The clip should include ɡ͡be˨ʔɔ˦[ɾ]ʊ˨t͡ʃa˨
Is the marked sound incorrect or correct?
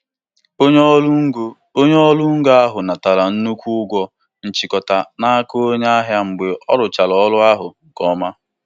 correct